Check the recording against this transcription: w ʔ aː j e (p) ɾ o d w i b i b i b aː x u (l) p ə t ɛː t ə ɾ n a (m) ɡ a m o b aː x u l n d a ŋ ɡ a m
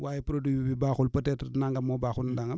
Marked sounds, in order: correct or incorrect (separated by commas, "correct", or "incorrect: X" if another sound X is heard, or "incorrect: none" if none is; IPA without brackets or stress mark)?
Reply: correct, correct, incorrect: ŋ